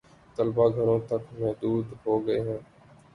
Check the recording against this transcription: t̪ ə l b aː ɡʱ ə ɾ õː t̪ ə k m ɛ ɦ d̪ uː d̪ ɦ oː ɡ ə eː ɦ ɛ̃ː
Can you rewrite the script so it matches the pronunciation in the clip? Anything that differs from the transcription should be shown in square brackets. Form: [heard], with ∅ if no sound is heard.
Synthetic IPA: t̪ ə l b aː ɡʱ ə ɾ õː t̪ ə k m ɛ ɦ d̪ uː d̪ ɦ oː ɡ ə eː ɦ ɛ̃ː